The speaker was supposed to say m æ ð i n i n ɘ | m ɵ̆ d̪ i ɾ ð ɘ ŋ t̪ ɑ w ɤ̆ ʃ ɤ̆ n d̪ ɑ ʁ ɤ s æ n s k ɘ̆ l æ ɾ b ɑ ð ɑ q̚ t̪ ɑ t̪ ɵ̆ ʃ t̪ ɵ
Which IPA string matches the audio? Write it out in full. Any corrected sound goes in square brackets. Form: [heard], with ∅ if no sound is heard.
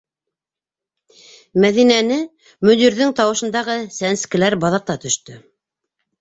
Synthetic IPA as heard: m æ ð i n [æ] n ɘ | m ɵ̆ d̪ i ɾ ð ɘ ŋ t̪ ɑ w ɤ̆ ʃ ɤ̆ n d̪ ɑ ʁ ɤ s æ n s k ɘ̆ l æ ɾ b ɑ ð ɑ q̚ t̪ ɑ t̪ ɵ̆ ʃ t̪ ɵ

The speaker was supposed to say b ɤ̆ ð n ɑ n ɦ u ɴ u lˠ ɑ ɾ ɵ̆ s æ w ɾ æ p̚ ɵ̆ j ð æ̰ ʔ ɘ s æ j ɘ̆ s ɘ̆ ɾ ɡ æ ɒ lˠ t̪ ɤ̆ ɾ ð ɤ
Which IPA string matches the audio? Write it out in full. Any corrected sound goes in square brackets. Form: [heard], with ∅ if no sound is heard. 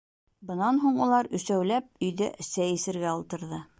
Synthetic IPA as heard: b ɤ̆ [∅] n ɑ n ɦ u ɴ u lˠ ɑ ɾ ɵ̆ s æ w [l] æ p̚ ɵ̆ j ð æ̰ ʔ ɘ s æ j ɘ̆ s ɘ̆ ɾ ɡ æ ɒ lˠ t̪ ɤ̆ ɾ ð ɤ

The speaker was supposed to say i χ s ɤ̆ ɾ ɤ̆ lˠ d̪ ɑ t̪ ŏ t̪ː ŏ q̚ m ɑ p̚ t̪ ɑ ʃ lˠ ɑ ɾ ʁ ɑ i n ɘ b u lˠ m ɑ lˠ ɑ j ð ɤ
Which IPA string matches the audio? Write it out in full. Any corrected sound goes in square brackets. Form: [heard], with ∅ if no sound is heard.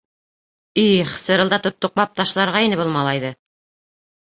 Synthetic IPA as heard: i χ s ɤ̆ ɾ ɤ̆ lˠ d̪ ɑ t̪ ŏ t̪ː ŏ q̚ m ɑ p̚ t̪ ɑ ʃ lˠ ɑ ɾ ʁ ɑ i n ɘ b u lˠ m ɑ lˠ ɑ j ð ɤ

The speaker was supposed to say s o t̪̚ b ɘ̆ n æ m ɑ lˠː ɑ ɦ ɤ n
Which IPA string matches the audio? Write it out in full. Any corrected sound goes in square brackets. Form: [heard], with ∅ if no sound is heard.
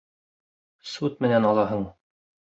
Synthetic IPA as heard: s [u] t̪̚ [m] ɘ̆ n æ [n] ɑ [lˠ] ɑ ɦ ɤ [ɴ]

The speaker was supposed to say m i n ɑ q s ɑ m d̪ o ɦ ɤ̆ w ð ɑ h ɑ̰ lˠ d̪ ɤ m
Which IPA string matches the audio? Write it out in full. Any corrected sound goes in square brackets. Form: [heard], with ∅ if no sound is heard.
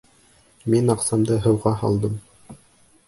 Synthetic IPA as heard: m i n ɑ q s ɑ m d̪ [ɤ] ɦ ɤ̆ w [ʁ] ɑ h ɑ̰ lˠ d̪ ɤ m

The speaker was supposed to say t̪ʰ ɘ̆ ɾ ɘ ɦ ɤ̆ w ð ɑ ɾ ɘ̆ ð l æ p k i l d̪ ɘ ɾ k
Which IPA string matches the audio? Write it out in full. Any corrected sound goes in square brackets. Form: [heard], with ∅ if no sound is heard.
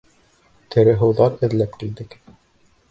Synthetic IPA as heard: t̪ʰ ɘ̆ ɾ ɘ ɦ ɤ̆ w ð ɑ ɾ ɘ̆ ð l æ p k i l d̪ ɘ [∅] k

